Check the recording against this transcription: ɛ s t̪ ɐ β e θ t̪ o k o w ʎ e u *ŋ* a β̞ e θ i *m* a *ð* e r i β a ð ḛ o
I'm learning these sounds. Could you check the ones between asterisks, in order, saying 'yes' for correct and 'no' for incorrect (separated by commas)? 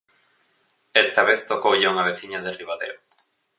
yes, no, yes